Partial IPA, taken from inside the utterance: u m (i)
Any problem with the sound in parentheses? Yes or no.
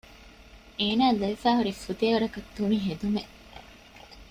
yes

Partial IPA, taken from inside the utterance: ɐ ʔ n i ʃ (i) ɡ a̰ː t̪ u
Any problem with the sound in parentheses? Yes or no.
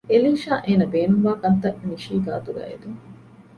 yes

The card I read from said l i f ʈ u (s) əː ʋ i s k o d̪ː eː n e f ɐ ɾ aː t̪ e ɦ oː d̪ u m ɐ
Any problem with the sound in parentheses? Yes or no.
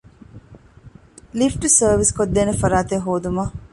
no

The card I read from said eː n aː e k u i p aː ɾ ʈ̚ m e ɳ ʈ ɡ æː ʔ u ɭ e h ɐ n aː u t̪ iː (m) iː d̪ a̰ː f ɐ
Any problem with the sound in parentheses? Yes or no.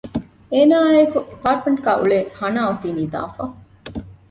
yes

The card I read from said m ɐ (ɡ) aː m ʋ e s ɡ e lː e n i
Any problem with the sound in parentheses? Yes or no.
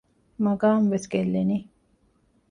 no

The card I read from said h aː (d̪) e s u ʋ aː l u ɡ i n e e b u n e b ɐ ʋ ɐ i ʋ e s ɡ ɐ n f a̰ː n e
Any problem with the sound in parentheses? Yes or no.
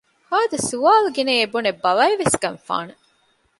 no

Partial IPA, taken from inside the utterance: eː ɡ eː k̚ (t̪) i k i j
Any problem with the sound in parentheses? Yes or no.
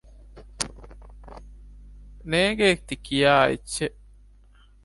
no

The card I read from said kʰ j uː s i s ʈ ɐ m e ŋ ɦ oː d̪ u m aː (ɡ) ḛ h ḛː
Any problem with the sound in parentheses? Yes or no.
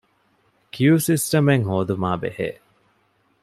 yes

